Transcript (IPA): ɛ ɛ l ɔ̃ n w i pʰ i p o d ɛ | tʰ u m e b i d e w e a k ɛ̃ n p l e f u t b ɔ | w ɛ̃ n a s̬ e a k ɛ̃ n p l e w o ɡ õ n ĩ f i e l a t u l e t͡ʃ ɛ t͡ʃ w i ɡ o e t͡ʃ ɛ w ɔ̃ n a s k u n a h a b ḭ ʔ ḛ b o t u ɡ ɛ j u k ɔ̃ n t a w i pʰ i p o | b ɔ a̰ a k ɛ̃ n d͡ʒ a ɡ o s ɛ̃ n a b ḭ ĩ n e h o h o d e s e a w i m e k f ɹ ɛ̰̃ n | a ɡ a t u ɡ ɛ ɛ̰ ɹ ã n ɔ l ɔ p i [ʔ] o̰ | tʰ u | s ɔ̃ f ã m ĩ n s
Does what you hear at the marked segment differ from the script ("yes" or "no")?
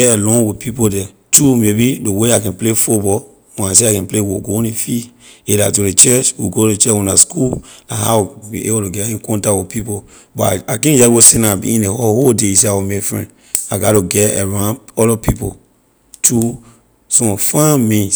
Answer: yes